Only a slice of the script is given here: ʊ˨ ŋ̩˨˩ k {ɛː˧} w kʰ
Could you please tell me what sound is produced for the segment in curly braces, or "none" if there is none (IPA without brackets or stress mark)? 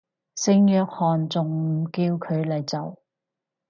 iː˧